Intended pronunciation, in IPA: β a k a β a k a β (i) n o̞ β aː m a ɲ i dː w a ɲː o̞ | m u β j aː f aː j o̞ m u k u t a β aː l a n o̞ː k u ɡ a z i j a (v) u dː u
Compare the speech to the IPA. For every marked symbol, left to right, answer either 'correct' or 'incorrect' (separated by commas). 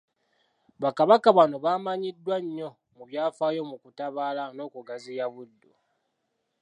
incorrect, incorrect